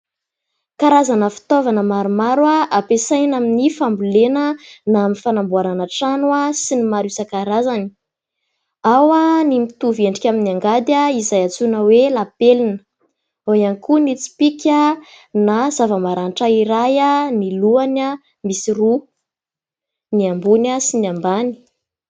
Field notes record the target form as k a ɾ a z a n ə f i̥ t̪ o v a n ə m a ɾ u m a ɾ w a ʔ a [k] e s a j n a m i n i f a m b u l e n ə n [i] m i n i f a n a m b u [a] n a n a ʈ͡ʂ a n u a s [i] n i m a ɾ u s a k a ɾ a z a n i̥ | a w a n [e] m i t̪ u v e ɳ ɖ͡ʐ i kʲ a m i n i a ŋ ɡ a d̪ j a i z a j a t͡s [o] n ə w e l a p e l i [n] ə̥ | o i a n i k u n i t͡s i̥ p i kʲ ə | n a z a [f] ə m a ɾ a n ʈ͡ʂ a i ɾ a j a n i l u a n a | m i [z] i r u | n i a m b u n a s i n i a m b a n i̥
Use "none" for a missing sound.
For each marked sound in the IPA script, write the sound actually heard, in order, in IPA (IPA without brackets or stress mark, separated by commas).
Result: p, a, a, i, i, u, n, v, s